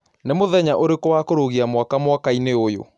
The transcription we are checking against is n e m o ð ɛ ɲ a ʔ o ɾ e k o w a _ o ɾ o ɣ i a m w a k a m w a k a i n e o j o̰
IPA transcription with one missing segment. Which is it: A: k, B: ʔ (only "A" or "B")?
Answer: A